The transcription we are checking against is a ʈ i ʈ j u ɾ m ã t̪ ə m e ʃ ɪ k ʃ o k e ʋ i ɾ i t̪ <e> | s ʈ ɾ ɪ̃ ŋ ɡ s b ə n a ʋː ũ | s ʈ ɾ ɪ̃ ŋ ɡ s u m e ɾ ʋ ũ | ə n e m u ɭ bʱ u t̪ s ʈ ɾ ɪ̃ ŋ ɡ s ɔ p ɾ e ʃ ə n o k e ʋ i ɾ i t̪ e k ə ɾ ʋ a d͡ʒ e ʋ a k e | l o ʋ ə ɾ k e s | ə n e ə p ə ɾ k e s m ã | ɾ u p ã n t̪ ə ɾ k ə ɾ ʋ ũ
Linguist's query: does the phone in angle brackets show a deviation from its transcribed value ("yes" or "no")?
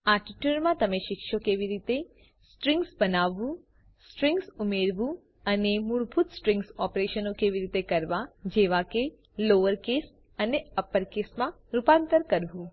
no